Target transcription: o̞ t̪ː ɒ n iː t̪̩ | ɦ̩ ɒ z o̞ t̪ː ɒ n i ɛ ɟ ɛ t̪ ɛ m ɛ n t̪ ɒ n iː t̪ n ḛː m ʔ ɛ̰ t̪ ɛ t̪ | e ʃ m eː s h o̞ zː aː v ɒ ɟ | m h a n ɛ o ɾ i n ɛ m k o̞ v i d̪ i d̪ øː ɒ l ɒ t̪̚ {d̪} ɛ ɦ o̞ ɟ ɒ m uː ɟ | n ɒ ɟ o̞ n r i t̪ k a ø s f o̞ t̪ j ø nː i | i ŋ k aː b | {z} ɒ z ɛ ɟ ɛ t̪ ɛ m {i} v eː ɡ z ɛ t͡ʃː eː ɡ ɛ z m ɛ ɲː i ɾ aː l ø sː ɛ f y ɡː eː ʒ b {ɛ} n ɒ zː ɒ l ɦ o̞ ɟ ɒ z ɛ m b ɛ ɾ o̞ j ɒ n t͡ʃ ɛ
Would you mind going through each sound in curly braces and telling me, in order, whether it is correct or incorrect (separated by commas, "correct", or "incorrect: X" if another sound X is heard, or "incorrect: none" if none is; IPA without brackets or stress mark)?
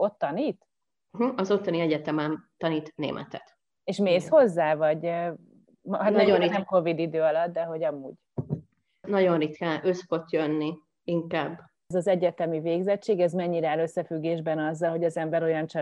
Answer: correct, correct, correct, correct